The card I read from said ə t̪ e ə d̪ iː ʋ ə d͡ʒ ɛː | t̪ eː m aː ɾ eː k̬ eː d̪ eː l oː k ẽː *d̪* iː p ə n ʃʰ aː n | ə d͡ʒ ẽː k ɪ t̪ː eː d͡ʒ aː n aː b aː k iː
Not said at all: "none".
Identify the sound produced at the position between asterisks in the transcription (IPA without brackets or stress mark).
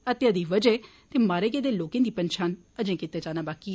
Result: d̪